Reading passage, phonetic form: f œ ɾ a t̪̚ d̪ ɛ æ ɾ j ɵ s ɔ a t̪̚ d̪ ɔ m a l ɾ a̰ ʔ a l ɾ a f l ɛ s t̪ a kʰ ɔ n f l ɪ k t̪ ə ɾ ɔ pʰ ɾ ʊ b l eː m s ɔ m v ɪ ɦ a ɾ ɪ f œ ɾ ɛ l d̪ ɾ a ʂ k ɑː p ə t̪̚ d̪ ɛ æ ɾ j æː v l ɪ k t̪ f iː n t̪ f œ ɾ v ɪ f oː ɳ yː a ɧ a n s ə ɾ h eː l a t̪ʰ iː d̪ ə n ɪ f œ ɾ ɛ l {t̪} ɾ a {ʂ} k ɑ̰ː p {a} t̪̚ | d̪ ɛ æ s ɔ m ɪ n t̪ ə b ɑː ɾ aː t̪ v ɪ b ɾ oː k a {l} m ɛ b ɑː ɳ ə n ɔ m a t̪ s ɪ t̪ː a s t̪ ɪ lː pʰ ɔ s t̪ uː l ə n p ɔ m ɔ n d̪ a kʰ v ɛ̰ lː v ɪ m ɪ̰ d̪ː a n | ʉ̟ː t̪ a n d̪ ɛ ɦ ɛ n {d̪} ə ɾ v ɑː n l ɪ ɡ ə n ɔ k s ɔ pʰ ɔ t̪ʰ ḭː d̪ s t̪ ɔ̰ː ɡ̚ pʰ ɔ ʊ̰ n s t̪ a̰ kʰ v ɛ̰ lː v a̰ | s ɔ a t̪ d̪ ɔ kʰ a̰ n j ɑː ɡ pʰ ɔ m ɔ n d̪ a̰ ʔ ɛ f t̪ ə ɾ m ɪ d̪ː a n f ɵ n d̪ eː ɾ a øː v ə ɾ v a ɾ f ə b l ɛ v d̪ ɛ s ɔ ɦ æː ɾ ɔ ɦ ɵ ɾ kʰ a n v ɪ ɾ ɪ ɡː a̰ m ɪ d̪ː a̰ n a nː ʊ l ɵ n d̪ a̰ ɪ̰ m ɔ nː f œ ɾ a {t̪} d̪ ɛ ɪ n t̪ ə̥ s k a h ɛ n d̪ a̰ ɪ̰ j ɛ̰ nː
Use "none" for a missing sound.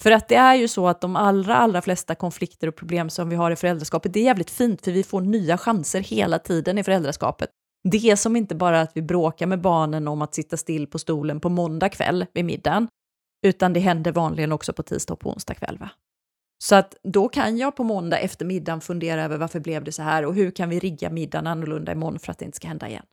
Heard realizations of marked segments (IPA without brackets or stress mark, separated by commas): d̪, ʂ, ə, ɾ, d̪, t̪